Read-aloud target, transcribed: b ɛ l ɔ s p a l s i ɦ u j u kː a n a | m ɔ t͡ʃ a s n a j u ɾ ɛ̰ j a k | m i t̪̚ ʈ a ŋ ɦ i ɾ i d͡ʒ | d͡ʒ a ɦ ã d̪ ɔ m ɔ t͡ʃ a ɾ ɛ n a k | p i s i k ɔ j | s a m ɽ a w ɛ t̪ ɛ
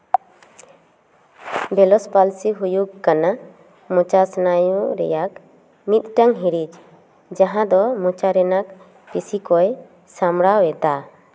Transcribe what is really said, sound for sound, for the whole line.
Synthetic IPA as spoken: b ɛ l ɔ s p a l s i ɦ u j u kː a n a | m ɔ t͡ʃ a s n a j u ɾ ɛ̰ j a k | m i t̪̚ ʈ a ŋ ɦ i ɾ i d͡ʒ | d͡ʒ a ɦ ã d̪ ɔ m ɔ t͡ʃ a ɾ ɛ n a k | p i s i k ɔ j | s a m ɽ a w ɛ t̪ a